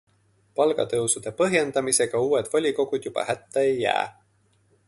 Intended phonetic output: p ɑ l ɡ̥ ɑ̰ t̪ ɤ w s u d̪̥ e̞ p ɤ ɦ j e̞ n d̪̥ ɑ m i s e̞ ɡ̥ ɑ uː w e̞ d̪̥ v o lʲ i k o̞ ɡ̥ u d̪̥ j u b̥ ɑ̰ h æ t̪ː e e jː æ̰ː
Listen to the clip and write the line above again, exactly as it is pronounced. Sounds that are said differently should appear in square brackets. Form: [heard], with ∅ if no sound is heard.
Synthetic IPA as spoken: p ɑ l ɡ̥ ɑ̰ t̪ ɤ w s u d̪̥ e̞ p ɤ ɦ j e̞ n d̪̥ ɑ m i s e̞ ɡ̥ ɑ uː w e̞ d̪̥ v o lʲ i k o̞ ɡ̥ u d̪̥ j u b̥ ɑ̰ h æ t̪ː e e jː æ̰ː